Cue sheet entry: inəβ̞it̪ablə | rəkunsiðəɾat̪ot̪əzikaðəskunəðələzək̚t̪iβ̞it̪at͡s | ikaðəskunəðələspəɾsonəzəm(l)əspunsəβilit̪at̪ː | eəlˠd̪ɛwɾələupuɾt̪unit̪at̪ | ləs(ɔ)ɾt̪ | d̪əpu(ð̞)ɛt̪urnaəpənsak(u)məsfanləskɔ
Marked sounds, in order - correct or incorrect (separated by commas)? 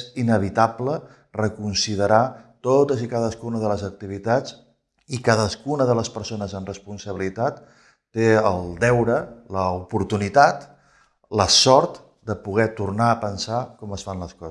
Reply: incorrect, correct, incorrect, incorrect